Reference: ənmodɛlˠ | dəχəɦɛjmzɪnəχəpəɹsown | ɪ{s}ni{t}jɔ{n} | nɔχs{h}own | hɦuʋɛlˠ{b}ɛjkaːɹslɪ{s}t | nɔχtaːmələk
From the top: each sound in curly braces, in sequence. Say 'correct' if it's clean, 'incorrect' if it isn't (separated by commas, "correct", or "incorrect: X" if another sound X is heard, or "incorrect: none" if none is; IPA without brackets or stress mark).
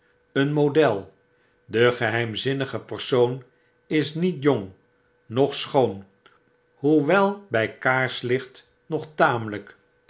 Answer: correct, correct, incorrect: ŋ, incorrect: χ, correct, incorrect: χ